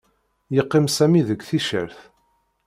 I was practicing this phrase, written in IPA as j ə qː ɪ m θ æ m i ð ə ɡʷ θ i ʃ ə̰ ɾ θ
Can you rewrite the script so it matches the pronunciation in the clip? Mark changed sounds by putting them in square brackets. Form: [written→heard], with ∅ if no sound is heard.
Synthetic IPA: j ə qː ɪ m [θ→s] æ m i ð ə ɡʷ θ i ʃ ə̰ ɾ θ